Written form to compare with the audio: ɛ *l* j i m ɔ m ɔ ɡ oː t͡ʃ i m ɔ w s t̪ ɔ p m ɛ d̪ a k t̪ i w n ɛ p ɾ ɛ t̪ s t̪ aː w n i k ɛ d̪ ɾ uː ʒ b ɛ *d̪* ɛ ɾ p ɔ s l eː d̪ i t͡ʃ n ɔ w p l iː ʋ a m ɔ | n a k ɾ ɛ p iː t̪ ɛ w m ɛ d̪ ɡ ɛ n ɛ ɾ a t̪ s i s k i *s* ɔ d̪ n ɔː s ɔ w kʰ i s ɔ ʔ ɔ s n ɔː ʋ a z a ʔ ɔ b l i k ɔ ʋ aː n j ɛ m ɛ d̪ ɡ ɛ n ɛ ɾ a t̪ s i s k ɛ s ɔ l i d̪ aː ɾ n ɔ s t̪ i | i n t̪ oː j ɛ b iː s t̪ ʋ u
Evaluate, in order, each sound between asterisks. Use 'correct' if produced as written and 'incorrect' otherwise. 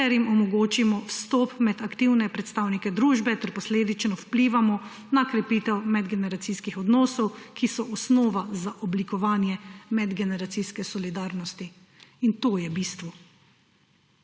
incorrect, incorrect, incorrect

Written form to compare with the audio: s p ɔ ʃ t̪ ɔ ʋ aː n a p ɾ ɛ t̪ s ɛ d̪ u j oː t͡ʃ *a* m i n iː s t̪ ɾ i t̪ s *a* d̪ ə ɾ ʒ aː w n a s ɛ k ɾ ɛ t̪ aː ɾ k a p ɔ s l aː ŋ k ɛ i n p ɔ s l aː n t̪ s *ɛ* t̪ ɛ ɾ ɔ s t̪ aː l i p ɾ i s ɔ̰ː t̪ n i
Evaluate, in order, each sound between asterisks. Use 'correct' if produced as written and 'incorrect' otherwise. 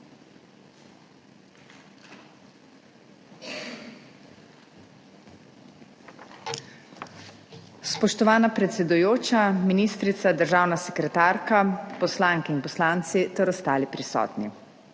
correct, correct, incorrect

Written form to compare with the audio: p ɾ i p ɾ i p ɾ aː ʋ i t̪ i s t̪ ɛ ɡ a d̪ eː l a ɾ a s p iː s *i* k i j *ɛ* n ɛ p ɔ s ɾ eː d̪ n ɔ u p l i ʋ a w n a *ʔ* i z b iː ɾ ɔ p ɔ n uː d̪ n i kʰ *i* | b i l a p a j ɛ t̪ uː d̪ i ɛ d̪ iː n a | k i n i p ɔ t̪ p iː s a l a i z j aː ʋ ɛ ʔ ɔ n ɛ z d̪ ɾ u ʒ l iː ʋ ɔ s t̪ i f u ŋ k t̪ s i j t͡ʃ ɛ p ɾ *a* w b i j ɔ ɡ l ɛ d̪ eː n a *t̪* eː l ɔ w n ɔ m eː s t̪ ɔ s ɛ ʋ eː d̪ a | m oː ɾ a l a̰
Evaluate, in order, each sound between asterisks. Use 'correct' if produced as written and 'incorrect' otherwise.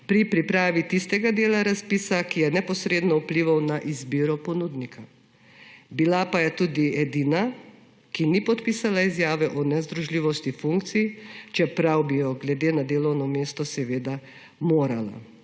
incorrect, correct, correct, incorrect, correct, incorrect

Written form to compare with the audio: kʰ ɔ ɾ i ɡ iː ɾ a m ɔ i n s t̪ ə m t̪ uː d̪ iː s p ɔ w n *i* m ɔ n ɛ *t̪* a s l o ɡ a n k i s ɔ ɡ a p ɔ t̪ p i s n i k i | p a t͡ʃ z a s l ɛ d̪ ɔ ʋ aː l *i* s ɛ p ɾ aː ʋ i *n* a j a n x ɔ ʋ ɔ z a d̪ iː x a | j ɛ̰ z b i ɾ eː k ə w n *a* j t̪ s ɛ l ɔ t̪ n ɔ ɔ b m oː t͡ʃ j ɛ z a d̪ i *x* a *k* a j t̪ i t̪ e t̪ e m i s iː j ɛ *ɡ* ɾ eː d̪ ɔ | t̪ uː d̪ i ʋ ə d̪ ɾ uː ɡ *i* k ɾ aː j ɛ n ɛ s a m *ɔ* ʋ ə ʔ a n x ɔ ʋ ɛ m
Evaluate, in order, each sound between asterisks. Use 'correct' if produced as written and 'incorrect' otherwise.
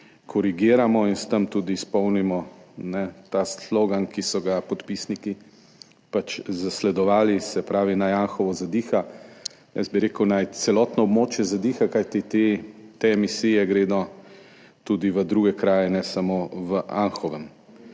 correct, correct, correct, correct, correct, correct, correct, correct, incorrect, incorrect

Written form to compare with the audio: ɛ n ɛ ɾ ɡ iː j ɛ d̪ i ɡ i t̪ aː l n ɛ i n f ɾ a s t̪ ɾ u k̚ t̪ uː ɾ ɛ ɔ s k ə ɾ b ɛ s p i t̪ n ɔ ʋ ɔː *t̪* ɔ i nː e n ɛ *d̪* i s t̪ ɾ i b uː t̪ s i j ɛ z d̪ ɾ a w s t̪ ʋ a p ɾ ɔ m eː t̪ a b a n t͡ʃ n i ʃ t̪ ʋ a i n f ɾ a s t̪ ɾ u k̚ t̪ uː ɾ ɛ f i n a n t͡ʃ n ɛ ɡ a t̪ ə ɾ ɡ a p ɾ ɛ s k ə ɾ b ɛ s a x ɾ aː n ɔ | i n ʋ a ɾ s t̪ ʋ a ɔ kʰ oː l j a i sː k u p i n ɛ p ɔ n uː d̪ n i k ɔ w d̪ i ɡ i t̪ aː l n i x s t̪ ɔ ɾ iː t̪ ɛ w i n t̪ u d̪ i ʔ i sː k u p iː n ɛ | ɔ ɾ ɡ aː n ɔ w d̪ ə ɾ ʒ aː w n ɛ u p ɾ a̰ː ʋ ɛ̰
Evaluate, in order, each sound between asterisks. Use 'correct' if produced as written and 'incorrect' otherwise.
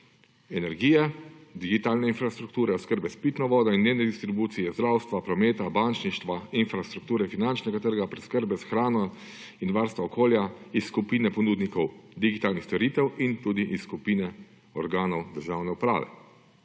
incorrect, correct

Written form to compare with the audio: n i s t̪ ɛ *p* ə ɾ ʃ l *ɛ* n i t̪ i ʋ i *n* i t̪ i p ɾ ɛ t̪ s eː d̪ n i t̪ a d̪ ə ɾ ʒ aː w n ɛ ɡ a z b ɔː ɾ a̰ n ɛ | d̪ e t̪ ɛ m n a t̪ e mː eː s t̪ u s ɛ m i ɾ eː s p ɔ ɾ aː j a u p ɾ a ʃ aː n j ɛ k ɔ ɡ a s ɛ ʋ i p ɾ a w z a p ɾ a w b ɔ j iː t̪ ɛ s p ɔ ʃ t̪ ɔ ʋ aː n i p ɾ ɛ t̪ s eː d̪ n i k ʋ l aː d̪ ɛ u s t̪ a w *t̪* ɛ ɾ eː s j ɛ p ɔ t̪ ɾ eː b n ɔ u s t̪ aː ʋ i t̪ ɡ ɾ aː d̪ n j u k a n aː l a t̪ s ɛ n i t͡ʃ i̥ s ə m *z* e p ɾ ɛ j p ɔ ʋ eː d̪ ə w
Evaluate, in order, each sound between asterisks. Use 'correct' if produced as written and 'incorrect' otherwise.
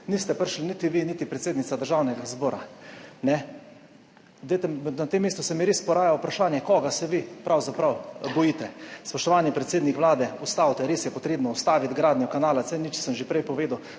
correct, incorrect, correct, correct, incorrect

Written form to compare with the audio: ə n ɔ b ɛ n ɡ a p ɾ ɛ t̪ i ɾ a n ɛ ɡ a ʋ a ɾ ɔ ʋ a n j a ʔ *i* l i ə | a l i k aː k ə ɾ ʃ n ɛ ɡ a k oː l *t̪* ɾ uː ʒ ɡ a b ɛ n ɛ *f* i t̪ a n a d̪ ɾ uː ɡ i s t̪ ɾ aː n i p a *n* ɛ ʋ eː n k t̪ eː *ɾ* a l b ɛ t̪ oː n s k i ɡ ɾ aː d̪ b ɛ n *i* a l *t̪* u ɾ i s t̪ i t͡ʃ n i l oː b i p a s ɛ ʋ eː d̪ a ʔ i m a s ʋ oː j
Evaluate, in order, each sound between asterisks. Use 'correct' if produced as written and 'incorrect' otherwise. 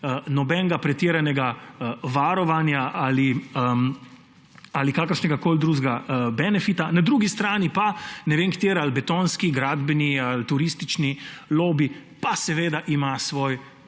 incorrect, incorrect, correct, correct, correct, correct, correct

